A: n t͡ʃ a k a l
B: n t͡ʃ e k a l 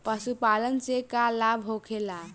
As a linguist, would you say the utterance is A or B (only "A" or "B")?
B